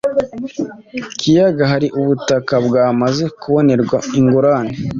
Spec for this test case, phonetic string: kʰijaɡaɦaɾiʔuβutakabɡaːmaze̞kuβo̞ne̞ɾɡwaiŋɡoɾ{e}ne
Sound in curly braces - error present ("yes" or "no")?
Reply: yes